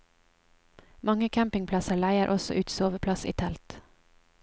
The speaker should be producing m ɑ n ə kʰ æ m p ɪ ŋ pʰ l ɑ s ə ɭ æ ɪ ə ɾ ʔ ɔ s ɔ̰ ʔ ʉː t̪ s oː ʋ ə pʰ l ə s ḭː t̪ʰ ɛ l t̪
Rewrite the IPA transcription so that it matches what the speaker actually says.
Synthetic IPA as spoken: m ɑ ŋ ə kʰ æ m p ɪ ŋ pʰ l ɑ s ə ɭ æ ɪ ə ɾ ʔ ɔ s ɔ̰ ʔ ʉː t̪ s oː ʋ ə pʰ l ɑ s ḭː t̪ʰ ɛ l t̪